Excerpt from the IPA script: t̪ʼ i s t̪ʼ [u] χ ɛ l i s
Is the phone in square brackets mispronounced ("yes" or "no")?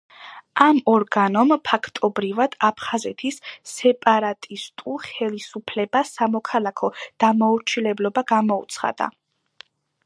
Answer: no